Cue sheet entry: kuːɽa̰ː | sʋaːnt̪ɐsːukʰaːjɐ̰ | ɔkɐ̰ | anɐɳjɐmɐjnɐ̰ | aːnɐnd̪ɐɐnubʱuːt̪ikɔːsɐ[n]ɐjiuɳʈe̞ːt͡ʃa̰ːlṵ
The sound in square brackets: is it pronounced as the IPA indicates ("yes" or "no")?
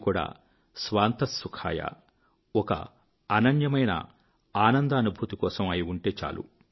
no